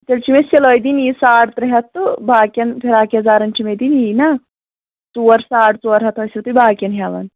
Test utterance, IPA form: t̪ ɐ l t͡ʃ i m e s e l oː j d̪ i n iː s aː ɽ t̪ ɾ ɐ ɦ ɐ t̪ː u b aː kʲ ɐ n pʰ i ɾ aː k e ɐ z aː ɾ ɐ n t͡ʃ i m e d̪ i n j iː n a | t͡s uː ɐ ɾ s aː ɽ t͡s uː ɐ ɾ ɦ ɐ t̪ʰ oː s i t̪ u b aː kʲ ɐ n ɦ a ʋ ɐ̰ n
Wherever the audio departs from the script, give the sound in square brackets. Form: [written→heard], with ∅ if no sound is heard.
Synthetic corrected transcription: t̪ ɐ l t͡ʃ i m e s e l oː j d̪ i n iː s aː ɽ t̪ ɾ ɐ ɦ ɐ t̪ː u b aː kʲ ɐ n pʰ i ɾ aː k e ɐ z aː ɾ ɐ n t͡ʃ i m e d̪ i n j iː n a | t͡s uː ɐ ɾ s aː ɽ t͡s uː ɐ ɾ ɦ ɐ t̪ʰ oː s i t̪ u b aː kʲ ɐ n ɦ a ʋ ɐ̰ n